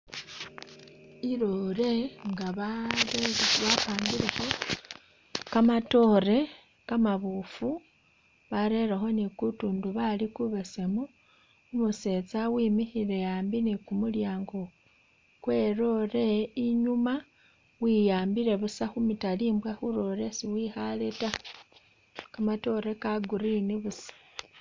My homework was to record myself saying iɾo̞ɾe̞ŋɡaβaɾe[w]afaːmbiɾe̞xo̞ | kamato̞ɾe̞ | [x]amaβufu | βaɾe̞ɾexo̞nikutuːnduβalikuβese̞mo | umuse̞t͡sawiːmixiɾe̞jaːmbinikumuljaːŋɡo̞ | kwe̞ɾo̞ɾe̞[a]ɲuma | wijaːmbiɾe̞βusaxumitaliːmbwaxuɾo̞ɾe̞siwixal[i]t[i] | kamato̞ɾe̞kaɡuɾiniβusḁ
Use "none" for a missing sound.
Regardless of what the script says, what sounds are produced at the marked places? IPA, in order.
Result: β, k, i, e, a

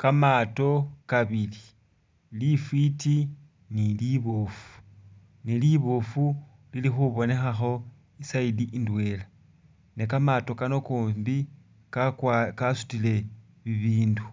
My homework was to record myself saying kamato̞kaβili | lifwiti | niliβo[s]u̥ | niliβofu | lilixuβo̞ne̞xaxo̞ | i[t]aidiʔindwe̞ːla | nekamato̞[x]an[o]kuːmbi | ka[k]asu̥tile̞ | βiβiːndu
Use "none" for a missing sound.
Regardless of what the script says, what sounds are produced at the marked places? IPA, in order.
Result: f, s, k, o, k

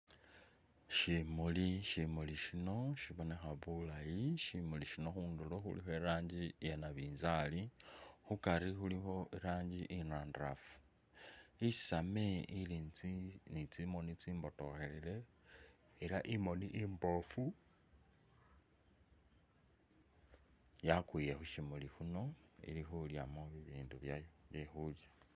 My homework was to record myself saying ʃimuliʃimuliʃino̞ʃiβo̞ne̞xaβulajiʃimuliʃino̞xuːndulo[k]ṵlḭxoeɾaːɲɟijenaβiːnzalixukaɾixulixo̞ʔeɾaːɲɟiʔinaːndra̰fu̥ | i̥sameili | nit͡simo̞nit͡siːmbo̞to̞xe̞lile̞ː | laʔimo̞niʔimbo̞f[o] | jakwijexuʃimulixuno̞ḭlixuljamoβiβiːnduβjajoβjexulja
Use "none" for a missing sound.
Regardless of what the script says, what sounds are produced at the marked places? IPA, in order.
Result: x, u

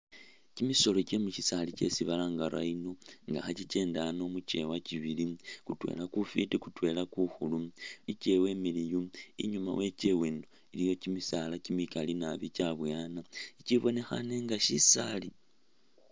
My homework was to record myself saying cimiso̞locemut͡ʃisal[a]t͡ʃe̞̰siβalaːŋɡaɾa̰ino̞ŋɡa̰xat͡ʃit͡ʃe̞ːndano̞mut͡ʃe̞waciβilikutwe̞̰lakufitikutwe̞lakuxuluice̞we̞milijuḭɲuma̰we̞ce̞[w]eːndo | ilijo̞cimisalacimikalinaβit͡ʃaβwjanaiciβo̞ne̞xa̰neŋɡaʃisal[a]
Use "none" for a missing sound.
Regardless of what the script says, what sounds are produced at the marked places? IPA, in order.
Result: i, w, i

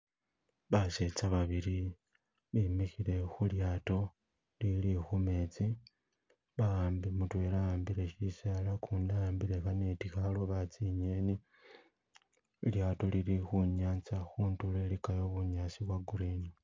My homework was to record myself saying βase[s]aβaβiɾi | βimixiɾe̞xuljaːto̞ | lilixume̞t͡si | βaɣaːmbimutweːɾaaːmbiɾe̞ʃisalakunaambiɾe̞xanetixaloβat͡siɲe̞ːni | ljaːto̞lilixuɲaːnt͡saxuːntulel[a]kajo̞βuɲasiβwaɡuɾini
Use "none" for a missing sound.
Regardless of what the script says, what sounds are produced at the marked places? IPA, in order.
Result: t͡s, i

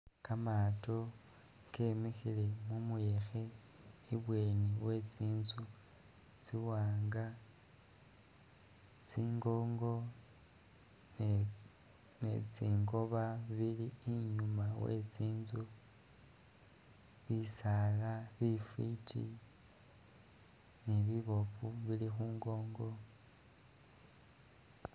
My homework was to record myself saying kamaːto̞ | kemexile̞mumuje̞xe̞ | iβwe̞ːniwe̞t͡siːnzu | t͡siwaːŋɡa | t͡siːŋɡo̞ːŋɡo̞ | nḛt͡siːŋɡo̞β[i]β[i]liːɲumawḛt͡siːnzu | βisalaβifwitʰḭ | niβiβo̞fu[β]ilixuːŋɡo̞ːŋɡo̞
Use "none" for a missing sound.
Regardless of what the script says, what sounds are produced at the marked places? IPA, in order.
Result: a, i, β

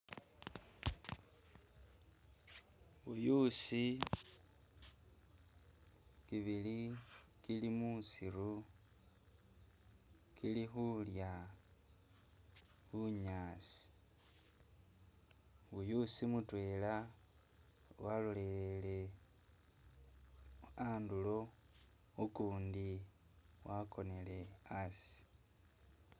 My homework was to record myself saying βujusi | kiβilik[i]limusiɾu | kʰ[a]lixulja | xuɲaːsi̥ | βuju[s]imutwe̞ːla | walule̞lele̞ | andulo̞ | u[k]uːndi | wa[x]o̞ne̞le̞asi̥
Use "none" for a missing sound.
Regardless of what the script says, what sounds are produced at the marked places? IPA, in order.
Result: i, i, s, k, k

